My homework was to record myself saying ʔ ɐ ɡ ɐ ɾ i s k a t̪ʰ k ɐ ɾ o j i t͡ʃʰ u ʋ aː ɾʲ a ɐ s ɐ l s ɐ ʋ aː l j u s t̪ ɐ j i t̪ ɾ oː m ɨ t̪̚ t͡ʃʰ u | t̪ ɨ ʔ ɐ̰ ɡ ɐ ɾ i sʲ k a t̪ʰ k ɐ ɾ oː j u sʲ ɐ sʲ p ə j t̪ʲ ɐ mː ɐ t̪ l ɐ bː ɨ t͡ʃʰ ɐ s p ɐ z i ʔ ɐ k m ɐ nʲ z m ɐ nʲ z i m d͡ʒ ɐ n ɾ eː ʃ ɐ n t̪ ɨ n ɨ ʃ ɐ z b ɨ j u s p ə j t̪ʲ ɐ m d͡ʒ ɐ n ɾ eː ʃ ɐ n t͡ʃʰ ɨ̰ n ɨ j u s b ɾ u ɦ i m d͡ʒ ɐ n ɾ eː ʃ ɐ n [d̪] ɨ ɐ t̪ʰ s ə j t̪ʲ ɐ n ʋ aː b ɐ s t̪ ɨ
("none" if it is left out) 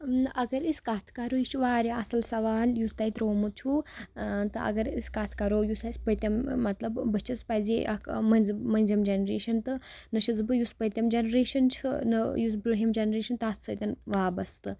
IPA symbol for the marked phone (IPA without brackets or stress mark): t̪